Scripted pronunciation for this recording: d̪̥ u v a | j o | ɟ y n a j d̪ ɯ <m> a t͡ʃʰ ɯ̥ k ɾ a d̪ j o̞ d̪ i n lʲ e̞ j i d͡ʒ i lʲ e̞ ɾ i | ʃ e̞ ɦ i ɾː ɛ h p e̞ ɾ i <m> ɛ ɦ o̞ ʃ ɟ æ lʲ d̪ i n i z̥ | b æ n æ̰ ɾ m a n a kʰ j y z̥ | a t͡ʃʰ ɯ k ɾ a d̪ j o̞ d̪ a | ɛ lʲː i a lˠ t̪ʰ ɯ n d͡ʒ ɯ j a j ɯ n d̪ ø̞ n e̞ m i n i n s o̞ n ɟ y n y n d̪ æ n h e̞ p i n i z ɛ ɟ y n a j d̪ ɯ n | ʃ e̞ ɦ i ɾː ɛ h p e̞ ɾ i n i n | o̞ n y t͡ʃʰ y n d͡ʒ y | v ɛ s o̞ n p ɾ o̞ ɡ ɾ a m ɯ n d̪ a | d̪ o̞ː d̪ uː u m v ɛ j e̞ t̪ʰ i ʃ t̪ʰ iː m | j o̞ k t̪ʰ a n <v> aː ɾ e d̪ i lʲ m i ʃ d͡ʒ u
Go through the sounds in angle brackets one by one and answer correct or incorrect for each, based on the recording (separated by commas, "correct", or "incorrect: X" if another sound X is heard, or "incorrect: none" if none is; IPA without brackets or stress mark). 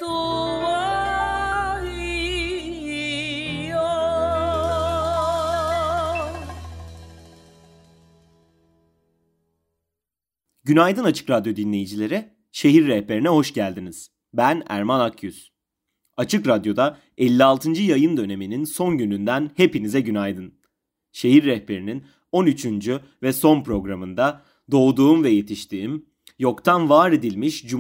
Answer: incorrect: n, incorrect: n, correct